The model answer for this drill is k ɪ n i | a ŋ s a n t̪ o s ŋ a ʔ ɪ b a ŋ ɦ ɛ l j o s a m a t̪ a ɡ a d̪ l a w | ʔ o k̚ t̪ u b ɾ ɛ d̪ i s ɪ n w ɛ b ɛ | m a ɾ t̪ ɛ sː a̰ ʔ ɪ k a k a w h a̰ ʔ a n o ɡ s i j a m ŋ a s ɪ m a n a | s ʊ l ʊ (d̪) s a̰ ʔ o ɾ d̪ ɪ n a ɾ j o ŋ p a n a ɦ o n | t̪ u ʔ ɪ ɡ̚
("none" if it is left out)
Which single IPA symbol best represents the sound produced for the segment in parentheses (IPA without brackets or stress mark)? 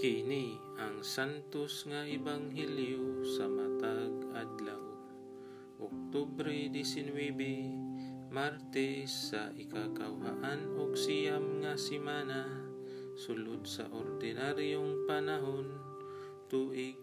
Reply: d̪